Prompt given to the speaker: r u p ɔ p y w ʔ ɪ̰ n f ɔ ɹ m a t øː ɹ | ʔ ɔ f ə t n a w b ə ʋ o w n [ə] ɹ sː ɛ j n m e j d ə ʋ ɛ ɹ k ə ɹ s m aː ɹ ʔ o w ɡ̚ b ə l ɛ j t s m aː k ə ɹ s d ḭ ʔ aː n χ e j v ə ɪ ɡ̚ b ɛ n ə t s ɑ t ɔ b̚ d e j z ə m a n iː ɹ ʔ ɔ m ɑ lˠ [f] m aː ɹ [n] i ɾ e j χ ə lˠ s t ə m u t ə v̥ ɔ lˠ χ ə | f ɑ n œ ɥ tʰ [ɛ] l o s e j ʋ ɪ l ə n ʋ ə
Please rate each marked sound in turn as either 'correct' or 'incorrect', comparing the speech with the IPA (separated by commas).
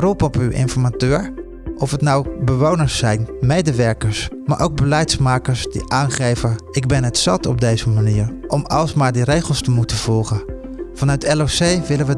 correct, incorrect, incorrect, correct